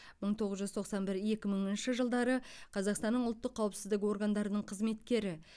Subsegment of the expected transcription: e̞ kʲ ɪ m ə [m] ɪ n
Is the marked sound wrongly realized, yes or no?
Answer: yes